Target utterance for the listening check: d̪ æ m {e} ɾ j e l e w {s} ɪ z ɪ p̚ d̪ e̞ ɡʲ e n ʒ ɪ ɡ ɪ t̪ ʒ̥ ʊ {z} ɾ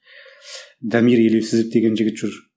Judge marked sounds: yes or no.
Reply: no, yes, no

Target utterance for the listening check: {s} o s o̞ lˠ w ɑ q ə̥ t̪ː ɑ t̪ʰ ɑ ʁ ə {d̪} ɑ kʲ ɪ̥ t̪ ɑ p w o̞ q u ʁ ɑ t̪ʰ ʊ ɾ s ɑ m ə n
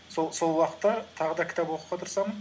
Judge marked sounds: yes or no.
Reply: yes, yes

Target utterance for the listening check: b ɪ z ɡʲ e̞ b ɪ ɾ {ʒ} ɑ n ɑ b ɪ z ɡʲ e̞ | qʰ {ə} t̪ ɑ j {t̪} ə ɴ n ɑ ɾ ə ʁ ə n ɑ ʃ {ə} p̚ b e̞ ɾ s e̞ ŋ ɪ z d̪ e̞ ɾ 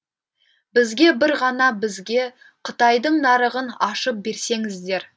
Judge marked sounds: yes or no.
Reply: no, yes, no, yes

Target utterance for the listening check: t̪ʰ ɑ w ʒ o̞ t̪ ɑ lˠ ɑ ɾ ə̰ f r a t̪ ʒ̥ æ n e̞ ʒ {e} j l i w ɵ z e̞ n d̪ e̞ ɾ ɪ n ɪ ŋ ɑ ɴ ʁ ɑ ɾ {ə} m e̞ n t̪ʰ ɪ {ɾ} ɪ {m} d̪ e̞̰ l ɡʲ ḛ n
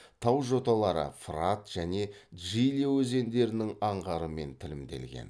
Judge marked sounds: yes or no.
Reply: no, yes, no, yes

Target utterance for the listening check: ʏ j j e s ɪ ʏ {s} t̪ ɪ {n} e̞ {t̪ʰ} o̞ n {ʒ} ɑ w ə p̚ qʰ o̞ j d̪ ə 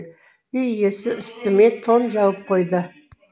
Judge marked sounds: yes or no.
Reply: yes, no, yes, yes

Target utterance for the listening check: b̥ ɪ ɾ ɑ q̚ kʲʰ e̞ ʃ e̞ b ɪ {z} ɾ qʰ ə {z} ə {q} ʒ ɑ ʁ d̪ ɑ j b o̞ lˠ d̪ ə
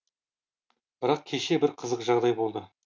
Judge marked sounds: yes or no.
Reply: no, yes, yes

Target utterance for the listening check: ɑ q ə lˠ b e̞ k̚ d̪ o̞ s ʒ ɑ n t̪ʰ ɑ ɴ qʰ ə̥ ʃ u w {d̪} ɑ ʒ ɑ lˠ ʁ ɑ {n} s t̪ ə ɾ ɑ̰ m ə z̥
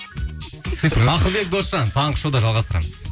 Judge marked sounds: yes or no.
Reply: yes, no

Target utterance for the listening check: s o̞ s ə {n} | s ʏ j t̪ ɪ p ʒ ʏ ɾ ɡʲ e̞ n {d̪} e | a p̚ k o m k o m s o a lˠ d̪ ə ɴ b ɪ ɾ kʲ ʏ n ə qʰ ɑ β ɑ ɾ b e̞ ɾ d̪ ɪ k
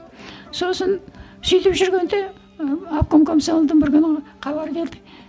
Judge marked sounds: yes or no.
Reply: yes, yes

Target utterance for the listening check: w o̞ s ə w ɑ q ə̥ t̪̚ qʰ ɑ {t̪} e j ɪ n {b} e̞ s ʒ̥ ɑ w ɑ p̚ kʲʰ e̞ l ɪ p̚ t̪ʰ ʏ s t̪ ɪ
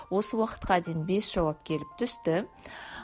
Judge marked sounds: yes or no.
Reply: no, yes

